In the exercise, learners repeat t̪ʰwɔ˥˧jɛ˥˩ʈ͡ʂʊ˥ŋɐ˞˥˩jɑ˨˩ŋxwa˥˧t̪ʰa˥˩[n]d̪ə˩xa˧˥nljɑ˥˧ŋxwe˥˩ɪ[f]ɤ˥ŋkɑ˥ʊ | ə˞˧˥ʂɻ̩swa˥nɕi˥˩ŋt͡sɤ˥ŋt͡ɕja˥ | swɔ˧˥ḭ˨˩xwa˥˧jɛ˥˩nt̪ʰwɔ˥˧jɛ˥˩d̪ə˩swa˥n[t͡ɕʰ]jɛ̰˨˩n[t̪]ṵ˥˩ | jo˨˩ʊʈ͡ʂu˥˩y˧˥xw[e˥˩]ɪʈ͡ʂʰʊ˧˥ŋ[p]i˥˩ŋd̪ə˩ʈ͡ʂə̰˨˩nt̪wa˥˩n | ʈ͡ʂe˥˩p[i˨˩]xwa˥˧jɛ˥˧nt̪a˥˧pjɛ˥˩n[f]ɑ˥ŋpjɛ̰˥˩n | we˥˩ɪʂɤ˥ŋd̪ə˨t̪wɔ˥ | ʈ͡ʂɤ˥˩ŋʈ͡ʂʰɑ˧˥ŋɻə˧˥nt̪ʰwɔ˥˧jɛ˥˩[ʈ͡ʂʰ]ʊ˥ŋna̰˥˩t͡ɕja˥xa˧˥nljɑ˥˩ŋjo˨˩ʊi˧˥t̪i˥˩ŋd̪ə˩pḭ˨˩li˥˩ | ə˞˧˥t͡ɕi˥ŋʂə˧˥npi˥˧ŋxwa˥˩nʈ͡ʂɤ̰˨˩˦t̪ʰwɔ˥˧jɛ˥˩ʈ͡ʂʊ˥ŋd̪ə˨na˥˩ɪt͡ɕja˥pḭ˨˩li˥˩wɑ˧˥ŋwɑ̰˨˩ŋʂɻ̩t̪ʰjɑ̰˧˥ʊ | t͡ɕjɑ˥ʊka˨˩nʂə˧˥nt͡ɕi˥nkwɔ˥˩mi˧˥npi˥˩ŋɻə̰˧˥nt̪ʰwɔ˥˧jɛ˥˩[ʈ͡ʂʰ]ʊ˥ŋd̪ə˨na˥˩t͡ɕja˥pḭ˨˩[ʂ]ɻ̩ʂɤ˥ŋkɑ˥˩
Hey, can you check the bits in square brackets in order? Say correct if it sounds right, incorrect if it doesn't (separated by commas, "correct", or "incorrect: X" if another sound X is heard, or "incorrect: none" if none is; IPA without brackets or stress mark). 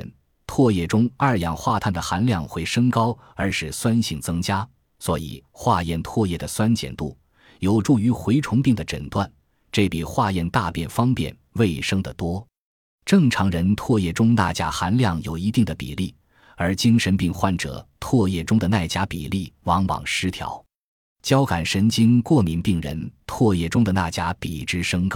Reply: correct, incorrect: ʂ, incorrect: t͡ɕ, correct, incorrect: e˧˥, correct, correct, correct, incorrect: ʈ͡ʂ, incorrect: ʈ͡ʂ, incorrect: ʈ͡ʂ